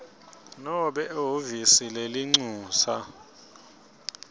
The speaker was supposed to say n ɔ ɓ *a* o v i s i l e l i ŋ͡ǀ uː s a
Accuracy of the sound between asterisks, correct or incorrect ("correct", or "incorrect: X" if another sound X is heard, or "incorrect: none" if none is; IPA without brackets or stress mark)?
incorrect: ɛ